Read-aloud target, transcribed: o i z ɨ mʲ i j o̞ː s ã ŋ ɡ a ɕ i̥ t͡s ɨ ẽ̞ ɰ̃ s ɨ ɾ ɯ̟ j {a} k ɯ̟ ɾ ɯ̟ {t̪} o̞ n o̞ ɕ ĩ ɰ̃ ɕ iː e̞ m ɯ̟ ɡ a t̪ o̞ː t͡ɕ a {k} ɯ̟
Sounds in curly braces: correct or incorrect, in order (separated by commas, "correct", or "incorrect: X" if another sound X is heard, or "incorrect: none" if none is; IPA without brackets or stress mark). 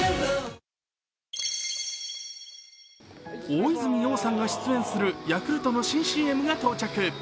correct, correct, correct